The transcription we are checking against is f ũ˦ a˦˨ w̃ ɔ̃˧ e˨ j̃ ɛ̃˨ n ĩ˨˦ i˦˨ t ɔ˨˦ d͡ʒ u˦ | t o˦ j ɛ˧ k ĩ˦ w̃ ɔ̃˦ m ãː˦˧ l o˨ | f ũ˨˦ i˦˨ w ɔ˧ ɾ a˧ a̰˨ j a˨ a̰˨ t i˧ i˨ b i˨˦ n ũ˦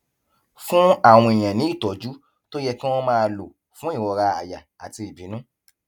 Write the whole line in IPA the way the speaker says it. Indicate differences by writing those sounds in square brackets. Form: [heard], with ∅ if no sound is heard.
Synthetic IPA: f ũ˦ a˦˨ w̃ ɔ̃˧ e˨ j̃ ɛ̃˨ n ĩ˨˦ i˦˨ t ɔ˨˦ d͡ʒ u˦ | t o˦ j ɛ˧ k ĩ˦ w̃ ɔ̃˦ m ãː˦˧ l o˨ | f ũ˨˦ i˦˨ w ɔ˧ ɾ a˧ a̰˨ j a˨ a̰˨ t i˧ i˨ b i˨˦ n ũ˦